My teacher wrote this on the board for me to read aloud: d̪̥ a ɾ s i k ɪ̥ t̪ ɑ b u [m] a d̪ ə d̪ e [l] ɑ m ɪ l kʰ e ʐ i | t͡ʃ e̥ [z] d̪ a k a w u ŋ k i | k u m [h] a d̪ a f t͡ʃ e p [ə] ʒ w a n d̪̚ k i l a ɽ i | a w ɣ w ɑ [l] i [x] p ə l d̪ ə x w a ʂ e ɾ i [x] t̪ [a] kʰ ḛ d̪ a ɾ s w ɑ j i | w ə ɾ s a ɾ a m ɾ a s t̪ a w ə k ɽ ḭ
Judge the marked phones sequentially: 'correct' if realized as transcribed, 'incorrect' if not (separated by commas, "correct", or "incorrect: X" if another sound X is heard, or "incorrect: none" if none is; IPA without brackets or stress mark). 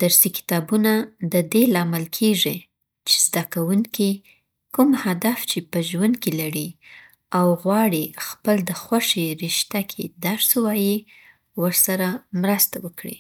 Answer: incorrect: n, correct, correct, correct, correct, incorrect: ɽ, correct, incorrect: ʃ, correct